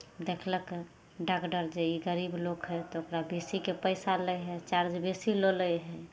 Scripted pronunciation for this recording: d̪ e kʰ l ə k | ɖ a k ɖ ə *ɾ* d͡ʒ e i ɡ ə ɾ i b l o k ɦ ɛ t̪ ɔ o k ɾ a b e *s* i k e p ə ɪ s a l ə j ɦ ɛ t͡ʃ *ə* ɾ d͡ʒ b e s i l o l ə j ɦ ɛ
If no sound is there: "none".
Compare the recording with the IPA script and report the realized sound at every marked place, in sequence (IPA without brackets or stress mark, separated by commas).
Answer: ɾ, s, a